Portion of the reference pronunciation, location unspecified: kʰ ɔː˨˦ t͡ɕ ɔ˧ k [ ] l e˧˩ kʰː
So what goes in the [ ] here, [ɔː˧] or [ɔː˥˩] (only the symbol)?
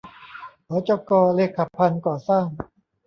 ɔː˧